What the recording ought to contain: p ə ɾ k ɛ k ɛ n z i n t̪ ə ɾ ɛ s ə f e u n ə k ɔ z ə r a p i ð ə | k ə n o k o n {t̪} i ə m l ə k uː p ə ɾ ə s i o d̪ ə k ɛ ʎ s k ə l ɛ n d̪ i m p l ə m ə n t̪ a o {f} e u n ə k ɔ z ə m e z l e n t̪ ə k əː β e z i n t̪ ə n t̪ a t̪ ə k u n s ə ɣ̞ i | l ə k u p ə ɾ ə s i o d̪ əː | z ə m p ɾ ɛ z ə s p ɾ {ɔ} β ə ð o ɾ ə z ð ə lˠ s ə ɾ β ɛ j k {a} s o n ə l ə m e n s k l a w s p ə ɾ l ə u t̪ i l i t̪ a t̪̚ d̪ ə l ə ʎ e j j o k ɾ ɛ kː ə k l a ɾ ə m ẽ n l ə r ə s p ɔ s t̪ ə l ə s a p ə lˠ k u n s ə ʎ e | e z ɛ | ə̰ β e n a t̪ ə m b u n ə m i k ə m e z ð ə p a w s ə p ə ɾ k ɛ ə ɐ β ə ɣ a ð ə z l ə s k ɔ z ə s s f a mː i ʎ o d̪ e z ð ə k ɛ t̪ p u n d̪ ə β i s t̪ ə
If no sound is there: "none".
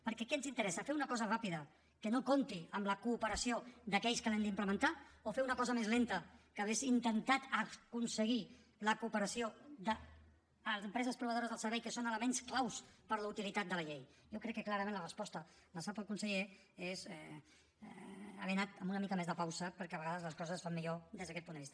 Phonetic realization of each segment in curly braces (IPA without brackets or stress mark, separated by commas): t̪, f, u, ə